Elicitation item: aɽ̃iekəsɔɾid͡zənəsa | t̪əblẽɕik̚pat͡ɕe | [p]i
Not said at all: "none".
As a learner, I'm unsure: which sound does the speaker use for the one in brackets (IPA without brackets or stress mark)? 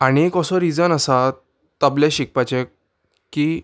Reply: k